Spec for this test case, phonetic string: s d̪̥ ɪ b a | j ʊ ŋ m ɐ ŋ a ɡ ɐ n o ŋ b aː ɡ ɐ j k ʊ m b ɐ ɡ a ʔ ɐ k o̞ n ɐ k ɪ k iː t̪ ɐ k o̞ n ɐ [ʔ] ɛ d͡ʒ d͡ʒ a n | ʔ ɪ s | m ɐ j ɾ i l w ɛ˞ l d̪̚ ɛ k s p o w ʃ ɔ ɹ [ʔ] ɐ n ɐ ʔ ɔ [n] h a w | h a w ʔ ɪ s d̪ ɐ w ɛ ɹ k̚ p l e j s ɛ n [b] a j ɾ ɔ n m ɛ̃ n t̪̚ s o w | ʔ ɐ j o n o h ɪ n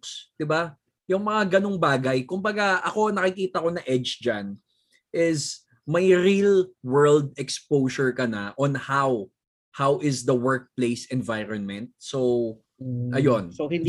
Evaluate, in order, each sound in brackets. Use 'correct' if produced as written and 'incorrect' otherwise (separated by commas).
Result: correct, incorrect, correct, incorrect